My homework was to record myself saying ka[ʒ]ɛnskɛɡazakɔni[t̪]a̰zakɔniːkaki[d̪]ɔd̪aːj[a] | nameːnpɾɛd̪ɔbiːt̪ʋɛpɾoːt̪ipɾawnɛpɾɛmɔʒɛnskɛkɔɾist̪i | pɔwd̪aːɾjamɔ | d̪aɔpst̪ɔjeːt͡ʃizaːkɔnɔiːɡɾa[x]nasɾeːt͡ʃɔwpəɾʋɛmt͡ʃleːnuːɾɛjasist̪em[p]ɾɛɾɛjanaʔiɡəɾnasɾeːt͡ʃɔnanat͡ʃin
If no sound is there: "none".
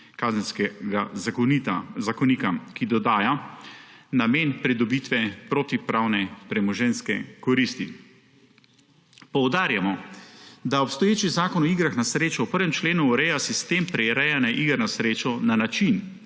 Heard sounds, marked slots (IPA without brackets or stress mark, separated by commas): z, t̪, d̪, a, x, p